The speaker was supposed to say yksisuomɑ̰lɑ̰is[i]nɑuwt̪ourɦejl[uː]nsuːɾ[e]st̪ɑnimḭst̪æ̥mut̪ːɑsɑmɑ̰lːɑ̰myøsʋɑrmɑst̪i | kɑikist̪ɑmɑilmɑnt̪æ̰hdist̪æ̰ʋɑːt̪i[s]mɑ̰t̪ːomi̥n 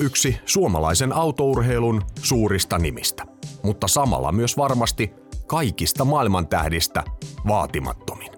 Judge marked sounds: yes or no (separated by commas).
no, no, no, no